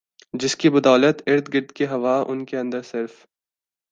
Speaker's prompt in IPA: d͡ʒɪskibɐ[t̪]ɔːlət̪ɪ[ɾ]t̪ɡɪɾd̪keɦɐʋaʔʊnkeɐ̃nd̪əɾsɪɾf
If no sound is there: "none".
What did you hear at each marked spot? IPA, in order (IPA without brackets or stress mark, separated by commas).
d̪, ɾ